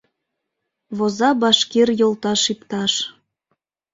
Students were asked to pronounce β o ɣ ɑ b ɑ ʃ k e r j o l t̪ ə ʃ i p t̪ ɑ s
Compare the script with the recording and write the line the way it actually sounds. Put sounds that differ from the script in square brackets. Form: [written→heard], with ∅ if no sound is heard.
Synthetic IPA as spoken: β o [ɣ→z] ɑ b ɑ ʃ k e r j o l t̪ [ə→ɑ] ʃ i p t̪ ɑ [s→ʃ]